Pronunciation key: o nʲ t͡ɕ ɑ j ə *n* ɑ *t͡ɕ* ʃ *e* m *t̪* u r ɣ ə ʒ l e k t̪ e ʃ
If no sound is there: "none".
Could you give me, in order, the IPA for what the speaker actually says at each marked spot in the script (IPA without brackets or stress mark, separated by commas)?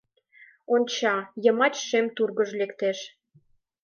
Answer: m, t͡ɕ, e, t̪